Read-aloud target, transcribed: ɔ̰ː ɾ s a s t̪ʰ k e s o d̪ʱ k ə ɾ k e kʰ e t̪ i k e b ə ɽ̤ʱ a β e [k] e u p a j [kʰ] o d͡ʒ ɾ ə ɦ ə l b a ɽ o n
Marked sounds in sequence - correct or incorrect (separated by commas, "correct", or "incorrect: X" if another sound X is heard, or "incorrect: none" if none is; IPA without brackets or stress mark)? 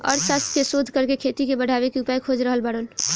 correct, correct